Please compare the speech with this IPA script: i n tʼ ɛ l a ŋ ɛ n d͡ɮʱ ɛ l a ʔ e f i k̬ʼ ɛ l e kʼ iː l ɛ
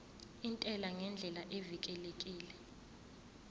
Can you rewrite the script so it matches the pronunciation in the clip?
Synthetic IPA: i n tʼ ɛ l a ŋ ɛ n d͡ɮʱ ɛ l a ʔ e v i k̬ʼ ɛ l e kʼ iː l ɛ